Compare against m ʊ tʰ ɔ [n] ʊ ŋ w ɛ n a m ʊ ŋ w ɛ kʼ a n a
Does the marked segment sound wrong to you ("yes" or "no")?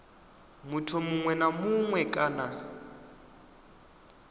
yes